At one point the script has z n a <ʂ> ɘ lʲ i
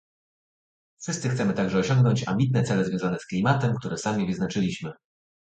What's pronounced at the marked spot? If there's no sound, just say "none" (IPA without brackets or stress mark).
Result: t͡ʂ